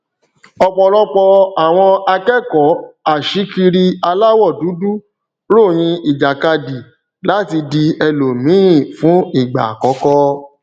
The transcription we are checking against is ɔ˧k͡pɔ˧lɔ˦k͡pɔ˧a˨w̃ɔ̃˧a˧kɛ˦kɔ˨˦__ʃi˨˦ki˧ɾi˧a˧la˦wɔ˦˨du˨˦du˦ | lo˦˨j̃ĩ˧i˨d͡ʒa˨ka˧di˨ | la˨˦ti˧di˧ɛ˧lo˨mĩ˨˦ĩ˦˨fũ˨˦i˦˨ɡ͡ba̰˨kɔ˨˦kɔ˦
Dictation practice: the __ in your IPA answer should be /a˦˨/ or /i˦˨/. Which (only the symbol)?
a˦˨